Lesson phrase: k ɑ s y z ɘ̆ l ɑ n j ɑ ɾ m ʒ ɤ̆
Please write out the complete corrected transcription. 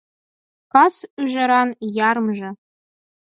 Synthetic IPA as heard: k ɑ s y ʒ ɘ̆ ɾ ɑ n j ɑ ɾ m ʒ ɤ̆